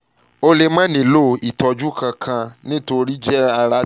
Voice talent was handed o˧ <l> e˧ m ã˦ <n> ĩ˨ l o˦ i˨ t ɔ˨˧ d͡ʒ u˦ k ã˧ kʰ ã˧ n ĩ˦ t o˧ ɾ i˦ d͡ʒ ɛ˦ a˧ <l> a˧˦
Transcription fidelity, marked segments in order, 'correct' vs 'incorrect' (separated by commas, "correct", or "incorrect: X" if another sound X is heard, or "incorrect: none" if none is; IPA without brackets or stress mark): correct, correct, incorrect: ɾ